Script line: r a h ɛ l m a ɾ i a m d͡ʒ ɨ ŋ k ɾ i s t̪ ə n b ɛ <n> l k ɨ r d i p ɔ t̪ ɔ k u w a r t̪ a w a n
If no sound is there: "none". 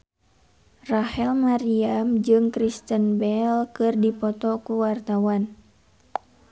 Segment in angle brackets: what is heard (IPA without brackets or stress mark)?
none